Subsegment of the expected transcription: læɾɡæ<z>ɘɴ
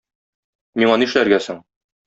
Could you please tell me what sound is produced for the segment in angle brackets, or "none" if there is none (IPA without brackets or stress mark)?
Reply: s